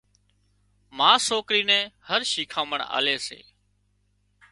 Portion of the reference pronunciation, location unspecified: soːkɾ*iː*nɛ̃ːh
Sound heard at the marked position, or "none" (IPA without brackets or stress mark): iː